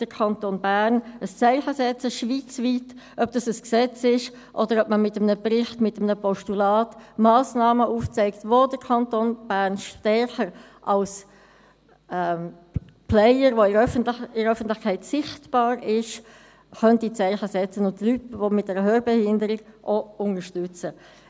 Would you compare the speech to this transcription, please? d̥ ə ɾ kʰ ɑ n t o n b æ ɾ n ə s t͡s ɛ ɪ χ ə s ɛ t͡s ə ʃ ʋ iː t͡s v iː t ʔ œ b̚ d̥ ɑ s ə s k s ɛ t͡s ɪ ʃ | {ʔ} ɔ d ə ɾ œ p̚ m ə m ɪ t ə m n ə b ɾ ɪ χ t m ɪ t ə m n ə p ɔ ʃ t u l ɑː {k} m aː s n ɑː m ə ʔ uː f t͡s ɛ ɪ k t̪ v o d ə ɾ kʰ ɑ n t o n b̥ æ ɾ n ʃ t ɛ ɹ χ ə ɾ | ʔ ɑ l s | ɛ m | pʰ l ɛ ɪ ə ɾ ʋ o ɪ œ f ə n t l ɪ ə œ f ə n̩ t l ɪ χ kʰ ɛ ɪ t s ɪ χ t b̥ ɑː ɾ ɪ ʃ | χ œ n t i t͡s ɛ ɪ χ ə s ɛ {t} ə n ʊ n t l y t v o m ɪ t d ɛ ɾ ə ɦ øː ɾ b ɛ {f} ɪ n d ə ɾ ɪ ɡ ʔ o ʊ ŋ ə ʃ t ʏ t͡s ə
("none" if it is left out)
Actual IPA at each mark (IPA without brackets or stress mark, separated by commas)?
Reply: ʔ, t, t͡s, h